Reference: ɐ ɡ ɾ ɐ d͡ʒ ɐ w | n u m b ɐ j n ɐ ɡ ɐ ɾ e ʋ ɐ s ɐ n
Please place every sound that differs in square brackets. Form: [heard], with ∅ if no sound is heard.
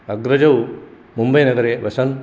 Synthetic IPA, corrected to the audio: ɐ ɡ ɾ ɐ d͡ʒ ɐ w | [m] u m b ɐ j n ɐ ɡ ɐ ɾ e ʋ ɐ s ɐ n